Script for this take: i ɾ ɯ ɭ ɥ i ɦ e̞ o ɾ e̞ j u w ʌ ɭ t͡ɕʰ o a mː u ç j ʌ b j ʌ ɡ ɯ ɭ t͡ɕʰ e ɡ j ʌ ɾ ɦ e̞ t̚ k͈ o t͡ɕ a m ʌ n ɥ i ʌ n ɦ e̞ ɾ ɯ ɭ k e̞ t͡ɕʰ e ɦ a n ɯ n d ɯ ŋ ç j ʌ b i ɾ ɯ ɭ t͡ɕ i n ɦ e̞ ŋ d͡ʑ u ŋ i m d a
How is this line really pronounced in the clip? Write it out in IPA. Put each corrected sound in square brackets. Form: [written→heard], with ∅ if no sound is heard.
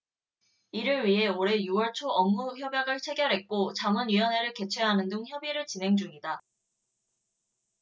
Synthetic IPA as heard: i ɾ ɯ ɭ ɥ i ɦ e̞ o ɾ e̞ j u w ʌ ɭ t͡ɕʰ o [a→ʌ] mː u ç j ʌ b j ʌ ɡ ɯ ɭ t͡ɕʰ e ɡ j ʌ ɾ ɦ e̞ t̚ k͈ o t͡ɕ a m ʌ n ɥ i ʌ n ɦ e̞ ɾ ɯ ɭ k e̞ t͡ɕʰ e ɦ a n ɯ n d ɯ ŋ ç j ʌ b i ɾ ɯ ɭ t͡ɕ i n ɦ e̞ ŋ d͡ʑ u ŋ i [m→∅] d a